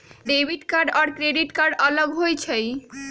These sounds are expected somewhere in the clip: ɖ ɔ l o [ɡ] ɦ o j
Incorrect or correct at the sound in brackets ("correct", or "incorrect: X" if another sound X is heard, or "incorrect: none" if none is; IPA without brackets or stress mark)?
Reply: correct